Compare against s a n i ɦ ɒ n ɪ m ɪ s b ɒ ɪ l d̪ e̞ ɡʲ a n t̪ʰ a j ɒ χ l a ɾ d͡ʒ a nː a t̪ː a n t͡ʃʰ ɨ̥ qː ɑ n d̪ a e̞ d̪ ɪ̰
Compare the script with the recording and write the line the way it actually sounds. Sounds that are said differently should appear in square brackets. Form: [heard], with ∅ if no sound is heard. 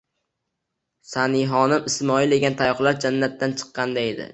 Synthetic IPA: s a n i ɦ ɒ n ɪ m ɪ s [m] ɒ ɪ l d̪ e̞ ɡʲ a n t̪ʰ a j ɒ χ l a ɾ d͡ʒ a nː a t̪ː a n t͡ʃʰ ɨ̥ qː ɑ n d̪ a e̞ d̪ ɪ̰